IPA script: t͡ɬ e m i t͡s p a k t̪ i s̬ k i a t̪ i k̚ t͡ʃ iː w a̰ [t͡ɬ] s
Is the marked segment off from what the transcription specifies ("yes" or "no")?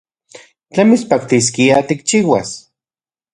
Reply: yes